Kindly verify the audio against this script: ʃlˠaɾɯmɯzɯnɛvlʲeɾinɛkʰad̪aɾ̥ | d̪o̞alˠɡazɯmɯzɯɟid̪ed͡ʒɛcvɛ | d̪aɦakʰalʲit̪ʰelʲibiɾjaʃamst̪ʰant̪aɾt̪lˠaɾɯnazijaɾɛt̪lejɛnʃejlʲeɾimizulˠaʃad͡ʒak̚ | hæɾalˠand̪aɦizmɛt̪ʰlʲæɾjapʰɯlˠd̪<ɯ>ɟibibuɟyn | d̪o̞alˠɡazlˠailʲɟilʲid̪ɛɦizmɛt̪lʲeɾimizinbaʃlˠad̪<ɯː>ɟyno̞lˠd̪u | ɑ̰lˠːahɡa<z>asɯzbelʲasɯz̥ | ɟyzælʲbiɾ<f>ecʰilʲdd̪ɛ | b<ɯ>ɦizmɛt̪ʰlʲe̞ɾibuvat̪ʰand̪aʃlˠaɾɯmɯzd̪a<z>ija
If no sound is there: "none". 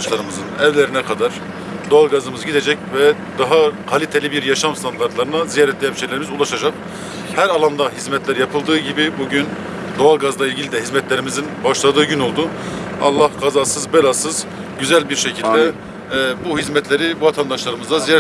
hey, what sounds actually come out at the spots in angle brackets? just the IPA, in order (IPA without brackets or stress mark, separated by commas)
ɯː, ɯː, z, ʃ, u, z